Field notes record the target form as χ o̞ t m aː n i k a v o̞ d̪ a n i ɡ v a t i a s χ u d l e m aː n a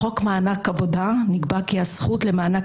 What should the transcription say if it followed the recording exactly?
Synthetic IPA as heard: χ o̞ k m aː n a k a v o̞ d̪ a n i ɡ b a k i a s χ u t l e m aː n a